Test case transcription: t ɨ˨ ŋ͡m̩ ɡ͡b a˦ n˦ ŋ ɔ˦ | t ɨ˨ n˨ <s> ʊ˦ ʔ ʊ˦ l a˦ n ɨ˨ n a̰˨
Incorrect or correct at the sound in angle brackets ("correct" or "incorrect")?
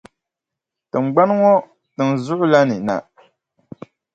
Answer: incorrect